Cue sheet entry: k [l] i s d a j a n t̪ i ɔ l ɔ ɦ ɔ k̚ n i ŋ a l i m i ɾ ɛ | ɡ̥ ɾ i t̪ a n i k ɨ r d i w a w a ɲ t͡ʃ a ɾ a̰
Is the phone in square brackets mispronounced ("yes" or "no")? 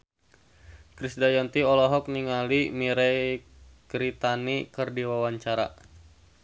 yes